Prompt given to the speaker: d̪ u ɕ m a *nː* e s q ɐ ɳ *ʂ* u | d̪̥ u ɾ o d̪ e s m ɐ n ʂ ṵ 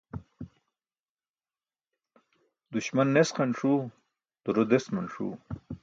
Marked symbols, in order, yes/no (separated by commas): yes, yes